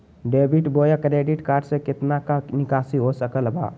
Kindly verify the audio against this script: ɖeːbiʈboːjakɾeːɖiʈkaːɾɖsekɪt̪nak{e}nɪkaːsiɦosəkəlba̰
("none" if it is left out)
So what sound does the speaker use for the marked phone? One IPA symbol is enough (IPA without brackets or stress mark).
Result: a